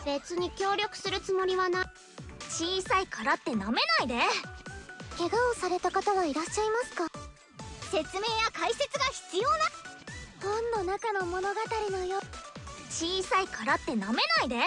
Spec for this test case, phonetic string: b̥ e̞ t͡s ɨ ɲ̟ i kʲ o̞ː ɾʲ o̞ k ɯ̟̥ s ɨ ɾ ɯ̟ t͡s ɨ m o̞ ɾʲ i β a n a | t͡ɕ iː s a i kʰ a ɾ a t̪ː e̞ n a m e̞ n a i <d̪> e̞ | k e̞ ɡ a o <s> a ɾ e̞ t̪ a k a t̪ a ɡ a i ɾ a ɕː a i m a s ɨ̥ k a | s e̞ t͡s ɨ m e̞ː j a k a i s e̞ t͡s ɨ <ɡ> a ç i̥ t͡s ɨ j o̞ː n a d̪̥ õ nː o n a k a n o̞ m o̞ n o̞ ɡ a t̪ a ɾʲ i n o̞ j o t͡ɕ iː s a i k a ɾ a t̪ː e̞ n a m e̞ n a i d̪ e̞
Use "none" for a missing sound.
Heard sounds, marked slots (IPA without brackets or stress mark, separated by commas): d̪, s, ɡ